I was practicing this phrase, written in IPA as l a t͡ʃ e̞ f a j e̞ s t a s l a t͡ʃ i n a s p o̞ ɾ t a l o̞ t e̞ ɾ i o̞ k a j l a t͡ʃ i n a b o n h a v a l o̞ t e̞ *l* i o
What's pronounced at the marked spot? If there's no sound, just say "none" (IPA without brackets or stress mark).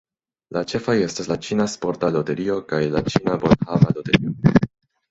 ɾ